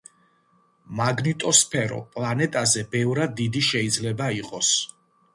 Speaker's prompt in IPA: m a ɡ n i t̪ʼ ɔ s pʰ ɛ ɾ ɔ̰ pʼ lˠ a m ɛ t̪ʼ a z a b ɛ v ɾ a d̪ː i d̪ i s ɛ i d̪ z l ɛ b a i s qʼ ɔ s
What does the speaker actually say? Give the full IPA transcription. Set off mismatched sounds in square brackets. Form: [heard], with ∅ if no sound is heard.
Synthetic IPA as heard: m a ɡ n i t̪ʼ ɔ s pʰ ɛ ɾ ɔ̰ pʼ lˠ a [n] ɛ t̪ʼ a z [ɛ] b ɛ v ɾ a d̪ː i d̪ i [ʃ] ɛ i d̪ z l ɛ b a i [∅] qʼ ɔ s